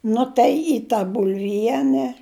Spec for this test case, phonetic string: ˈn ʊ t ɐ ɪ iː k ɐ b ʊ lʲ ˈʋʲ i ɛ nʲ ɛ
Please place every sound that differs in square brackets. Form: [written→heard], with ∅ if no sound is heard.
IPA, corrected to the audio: ˈn ʊ t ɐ ɪ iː [k→t] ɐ b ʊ lʲ ˈʋʲ i ɛ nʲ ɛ